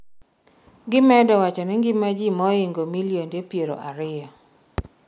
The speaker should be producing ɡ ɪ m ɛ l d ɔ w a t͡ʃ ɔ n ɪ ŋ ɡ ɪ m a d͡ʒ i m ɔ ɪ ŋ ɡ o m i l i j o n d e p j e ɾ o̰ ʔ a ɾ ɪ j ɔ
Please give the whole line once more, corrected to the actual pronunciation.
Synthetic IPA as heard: ɡ ɪ m ɛ d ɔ w a t͡ʃ ɔ n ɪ ŋ ɡ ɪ m a d͡ʒ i m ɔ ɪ ŋ ɡ o m i l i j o n d e p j e ɾ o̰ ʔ a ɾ ɪ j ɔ

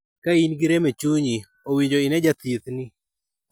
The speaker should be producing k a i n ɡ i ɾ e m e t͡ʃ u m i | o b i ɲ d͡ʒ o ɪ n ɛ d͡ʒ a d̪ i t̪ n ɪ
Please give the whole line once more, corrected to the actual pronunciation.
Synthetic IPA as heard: k a i n ɡ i ɾ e m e t͡ʃ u ɲ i | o w i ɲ d͡ʒ o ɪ n ɛ d͡ʒ a t̪ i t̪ n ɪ

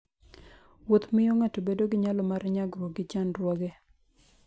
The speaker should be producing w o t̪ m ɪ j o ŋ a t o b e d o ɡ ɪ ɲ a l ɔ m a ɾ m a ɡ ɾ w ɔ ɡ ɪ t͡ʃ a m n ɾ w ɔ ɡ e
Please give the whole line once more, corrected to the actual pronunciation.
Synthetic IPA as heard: w o t̪ m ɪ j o ŋ a t o b e d o ɡ ɪ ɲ a l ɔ m a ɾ ɲ a ɡ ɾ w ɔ ɡ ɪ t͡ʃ a n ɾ w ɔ ɡ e

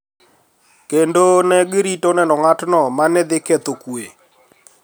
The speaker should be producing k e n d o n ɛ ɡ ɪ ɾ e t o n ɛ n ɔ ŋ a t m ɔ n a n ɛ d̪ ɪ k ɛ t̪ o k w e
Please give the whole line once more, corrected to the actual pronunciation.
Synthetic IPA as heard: k e n d o n ɛ ɡ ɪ ɾ i t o n ɛ n ɔ ŋ a t n ɔ m a n ɛ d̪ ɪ k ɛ t̪ o k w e

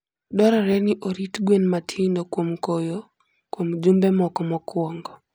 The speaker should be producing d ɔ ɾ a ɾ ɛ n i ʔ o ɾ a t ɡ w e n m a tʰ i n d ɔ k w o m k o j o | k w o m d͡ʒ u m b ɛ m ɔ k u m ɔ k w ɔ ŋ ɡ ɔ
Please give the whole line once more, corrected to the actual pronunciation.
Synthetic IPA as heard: d ɔ ɾ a ɾ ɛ n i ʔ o ɾ i t ɡ w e n m a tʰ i n d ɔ k w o m k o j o | k w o m d͡ʒ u m b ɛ m ɔ k ɔ m ɔ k w ɔ ŋ ɡ ɔ

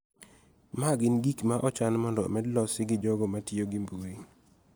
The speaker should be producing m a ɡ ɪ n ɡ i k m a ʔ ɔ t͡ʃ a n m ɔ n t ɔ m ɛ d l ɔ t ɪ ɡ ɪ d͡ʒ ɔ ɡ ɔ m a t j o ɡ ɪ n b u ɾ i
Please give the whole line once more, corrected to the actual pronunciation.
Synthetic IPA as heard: m a ɡ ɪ n ɡ i k m a ʔ ɔ t͡ʃ a n m ɔ n d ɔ m ɛ d l ɔ s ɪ ɡ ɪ d͡ʒ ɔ ɡ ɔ m a t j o ɡ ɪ m b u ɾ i

